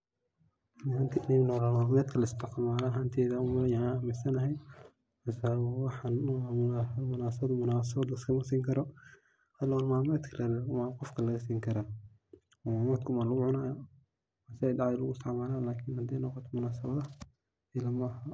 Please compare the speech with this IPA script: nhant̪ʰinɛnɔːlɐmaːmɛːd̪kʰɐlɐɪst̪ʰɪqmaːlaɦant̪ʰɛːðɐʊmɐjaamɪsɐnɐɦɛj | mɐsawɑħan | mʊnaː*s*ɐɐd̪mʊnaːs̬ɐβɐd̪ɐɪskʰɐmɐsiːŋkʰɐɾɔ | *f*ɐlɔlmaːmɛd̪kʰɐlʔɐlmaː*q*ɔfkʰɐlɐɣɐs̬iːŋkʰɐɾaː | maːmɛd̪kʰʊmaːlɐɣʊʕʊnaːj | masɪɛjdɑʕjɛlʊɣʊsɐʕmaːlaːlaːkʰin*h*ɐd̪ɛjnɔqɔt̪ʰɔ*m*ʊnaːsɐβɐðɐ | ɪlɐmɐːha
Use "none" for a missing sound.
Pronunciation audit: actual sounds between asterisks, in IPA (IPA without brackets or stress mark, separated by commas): s, h, q, h, m